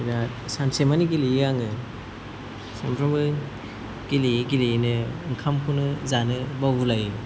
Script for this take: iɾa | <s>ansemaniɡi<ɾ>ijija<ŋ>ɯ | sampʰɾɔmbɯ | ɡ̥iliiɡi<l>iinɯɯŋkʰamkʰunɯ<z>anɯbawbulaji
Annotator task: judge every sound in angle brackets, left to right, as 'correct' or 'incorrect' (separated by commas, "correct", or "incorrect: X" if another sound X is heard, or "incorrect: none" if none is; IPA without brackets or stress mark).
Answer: correct, incorrect: l, correct, correct, correct